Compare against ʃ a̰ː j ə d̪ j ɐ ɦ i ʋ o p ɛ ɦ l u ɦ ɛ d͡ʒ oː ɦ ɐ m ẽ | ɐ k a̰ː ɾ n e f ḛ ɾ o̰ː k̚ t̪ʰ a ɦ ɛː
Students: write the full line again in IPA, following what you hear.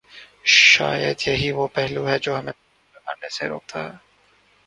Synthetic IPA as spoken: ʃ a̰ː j ə d̪ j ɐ ɦ i ʋ o p ɛ ɦ l u ɦ ɛ d͡ʒ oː ɦ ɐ m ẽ | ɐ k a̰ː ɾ n e s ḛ ɾ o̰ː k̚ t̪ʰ a ɦ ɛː